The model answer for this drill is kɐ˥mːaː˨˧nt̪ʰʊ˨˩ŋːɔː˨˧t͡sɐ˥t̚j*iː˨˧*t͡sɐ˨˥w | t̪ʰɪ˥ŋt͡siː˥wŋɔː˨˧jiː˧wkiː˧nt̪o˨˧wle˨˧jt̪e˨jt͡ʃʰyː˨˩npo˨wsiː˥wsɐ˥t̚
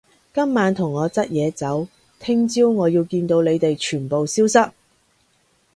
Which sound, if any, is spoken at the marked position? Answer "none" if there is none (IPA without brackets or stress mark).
ɛː˨˧